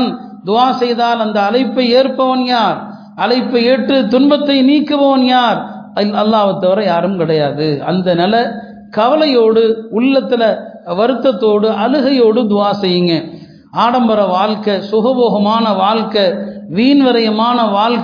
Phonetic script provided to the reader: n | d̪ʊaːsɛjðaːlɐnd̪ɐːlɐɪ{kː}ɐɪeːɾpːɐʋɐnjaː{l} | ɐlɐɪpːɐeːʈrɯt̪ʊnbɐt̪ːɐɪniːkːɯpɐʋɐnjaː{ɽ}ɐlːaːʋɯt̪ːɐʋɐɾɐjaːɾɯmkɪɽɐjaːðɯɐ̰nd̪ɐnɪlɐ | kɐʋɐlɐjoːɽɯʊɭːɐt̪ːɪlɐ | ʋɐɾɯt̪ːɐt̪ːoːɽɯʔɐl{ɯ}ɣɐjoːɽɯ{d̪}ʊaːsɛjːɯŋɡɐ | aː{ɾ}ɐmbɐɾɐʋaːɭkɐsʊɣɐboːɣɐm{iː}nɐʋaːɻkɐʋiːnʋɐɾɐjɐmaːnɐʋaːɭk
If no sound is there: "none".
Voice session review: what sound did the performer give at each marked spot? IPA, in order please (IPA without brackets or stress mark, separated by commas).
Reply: pː, ɾ, ɾ, ɯ, d̪, ɽ, aː